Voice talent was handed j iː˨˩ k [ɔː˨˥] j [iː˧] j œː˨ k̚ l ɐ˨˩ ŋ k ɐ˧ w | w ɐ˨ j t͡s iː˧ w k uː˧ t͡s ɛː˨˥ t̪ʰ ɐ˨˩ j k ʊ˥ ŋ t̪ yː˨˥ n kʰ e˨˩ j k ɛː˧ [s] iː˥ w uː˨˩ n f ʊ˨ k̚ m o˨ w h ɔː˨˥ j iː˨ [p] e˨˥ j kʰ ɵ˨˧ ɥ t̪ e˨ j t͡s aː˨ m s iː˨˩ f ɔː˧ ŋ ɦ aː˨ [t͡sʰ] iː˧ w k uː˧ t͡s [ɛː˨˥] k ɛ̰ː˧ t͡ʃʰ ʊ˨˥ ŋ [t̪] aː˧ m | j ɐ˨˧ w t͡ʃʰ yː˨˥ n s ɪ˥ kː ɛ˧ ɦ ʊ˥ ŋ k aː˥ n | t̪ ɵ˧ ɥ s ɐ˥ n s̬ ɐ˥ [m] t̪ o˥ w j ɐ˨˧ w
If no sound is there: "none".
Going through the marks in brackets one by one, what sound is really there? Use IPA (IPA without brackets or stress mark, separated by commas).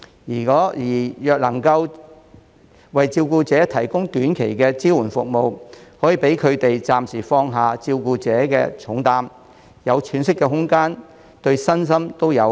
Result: ɔː˨˥, iː˨˩, t͡s, p, t͡s, ɛː˨˥, t̪, m